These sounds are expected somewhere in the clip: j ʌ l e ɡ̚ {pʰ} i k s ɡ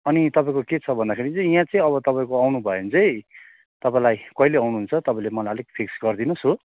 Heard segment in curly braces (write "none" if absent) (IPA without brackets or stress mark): pʰ